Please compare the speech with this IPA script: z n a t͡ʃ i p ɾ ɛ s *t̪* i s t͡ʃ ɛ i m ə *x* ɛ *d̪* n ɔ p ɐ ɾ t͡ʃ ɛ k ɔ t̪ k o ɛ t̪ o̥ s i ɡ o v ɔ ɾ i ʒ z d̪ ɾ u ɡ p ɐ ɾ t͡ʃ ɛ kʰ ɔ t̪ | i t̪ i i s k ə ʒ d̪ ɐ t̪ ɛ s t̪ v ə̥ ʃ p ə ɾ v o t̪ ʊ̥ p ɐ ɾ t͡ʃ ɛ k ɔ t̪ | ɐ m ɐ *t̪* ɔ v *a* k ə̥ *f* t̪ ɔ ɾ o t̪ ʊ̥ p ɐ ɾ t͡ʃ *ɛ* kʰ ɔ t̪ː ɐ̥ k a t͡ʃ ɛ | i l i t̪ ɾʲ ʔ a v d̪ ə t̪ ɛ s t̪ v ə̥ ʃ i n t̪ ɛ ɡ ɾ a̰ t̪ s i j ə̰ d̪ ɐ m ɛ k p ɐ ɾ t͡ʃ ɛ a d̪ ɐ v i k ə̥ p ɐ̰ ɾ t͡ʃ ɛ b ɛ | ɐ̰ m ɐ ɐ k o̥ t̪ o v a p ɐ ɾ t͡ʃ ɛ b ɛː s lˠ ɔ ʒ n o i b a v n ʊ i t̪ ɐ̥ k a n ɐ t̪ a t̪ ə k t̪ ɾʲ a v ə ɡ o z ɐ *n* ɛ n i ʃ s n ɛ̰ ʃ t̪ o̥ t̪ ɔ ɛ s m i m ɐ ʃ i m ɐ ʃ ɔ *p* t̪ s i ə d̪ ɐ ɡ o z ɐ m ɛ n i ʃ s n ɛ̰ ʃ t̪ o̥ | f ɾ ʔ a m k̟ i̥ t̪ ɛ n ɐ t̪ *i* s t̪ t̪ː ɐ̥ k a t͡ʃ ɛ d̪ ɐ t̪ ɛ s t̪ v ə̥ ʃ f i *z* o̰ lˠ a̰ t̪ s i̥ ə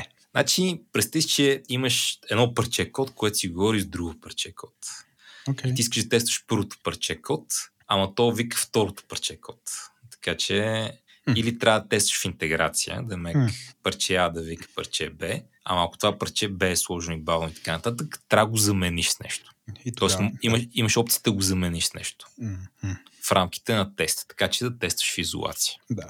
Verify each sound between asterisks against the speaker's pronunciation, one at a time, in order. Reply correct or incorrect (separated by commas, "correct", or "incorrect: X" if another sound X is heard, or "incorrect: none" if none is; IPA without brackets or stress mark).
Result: correct, incorrect: ʃ, correct, correct, incorrect: i, correct, correct, incorrect: m, correct, incorrect: ɛ, correct